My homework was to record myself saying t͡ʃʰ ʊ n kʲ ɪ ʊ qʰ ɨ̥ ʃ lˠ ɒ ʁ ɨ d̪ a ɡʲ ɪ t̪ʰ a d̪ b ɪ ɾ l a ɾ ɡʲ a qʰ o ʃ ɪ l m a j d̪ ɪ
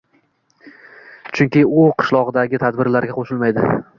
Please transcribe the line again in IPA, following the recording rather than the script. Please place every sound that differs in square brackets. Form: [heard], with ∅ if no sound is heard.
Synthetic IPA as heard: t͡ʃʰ ʊ [ŋ] kʲ ɪ ʊ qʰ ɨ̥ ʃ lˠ ɒ ʁ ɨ d̪ a ɡʲ ɪ t̪ʰ a d̪ b ɪ ɾ l a ɾ ɡʲ a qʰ o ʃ ɪ l m a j d̪ ɪ